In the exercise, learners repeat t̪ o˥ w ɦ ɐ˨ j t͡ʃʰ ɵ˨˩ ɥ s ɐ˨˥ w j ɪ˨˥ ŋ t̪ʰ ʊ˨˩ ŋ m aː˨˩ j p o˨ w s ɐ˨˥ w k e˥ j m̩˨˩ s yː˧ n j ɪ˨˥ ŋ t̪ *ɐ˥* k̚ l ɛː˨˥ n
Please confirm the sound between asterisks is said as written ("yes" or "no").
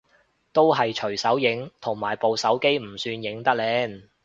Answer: yes